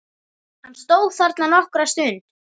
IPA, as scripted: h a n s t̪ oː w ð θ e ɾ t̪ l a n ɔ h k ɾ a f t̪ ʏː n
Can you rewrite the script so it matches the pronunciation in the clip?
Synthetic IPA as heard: h a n s t̪ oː w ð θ a ɾ t̪ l a n ɔ h k ɾ a s t̪ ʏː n